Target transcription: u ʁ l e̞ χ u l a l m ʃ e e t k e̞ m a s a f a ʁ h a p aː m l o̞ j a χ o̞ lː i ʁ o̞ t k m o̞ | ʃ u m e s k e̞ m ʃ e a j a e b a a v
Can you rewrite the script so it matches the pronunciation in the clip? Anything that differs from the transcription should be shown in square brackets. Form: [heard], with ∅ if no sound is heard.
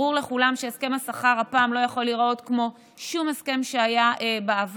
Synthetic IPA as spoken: u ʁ l e̞ χ u l a [∅] m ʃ e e [s] k e̞ m a s a [χ] a ʁ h a p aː m l o̞ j a χ o̞ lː i ʁ o̞ t k m o̞ | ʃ u m e s k e̞ m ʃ e a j a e b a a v